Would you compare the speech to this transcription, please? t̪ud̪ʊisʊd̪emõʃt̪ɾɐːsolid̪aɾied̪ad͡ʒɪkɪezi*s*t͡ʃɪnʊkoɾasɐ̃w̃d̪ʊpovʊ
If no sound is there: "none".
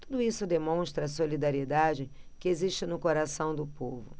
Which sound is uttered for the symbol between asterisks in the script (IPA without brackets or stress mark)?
ʃ